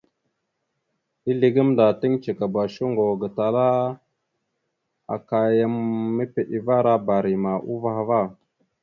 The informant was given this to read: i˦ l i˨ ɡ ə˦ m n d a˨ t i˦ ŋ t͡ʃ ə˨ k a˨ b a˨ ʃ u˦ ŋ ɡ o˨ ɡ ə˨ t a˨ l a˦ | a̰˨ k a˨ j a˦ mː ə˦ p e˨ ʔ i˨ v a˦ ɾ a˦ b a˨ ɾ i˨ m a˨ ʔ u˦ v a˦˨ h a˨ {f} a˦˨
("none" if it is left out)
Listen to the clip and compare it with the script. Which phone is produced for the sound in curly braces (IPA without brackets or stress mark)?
v